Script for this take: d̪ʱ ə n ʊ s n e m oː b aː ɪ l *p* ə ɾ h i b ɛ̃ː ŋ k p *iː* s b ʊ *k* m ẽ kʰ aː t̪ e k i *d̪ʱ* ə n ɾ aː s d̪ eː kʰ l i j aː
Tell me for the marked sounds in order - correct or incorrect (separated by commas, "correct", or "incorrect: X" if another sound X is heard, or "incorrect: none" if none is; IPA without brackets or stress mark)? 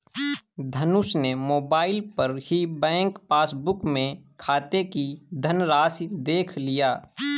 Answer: correct, incorrect: aː, correct, correct